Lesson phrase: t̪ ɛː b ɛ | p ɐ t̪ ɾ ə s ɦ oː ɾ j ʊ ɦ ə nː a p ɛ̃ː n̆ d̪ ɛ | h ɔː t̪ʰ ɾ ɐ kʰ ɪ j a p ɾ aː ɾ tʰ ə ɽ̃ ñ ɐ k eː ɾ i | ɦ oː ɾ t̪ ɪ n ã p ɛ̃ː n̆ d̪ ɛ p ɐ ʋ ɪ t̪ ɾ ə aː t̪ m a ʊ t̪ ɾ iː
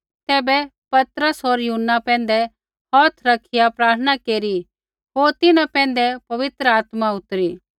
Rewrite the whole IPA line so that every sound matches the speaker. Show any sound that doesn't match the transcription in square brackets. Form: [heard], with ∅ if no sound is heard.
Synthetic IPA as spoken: t̪ ɛː b ɛ | p ɐ t̪ ɾ ə s ɦ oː ɾ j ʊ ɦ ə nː a p ɛ̃ː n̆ d̪ ɛ | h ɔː t̪ʰ ɾ ɐ kʰ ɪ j a p ɾ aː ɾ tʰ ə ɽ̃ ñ [a] k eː ɾ i | ɦ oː ɾ t̪ ɪ n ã p ɛ̃ː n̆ d̪ ɛ p ɐ ʋ ɪ t̪ ɾ ə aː t̪ m a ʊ t̪ ɾ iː